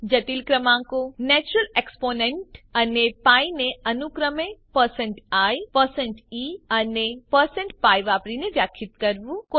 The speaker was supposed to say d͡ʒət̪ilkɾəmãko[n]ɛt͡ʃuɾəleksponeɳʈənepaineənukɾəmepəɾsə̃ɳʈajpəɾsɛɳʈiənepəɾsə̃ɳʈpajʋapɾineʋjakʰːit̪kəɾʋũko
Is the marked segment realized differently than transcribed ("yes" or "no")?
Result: no